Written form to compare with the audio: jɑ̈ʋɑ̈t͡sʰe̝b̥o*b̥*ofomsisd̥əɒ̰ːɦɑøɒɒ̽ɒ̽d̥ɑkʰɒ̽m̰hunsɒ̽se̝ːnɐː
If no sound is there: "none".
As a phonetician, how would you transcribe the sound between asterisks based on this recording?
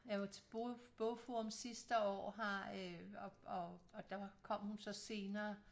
b̥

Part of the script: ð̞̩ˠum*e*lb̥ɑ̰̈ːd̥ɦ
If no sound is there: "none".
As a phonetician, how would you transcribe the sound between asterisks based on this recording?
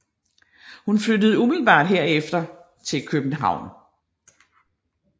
i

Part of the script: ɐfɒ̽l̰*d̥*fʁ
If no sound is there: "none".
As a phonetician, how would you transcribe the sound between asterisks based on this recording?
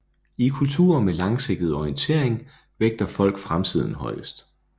ɡ̥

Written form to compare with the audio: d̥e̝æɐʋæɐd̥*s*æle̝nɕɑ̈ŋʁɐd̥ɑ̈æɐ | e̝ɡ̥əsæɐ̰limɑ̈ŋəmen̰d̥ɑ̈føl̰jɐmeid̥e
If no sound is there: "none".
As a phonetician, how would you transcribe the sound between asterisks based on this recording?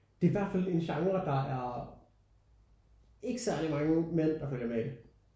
f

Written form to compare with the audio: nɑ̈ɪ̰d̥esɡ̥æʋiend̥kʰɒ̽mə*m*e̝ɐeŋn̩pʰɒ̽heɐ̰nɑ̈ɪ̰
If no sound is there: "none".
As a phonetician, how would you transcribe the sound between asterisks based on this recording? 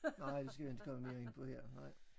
m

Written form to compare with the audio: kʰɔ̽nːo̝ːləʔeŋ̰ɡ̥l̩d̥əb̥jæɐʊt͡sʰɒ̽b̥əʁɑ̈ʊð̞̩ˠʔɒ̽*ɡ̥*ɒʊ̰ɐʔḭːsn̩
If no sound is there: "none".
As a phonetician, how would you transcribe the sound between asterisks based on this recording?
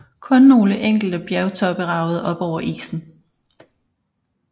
b̥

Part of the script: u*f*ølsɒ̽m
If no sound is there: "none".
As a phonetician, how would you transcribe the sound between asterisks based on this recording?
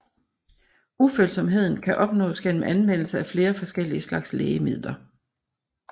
f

